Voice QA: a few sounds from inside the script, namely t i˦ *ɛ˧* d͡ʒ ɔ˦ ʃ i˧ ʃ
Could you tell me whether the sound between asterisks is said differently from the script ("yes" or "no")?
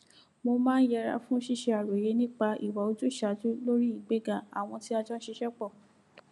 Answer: yes